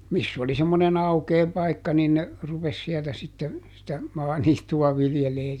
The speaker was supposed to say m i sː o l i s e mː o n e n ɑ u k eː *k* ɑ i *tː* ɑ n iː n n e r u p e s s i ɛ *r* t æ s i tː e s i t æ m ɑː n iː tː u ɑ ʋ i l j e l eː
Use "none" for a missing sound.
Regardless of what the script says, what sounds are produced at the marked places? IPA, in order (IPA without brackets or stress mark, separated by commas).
p, kː, l